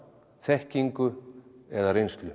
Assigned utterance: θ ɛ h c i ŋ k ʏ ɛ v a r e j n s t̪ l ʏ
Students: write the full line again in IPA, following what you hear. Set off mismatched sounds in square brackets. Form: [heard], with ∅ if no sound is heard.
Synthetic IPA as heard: θ ɛ h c i ŋ k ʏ ɛ [ð] a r e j n s t̪ l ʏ